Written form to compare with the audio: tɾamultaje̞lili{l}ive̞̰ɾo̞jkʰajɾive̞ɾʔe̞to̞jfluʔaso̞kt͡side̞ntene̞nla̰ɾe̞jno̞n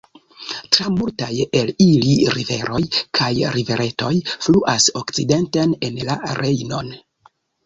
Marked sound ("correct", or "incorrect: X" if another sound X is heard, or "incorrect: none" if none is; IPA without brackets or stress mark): incorrect: ɾ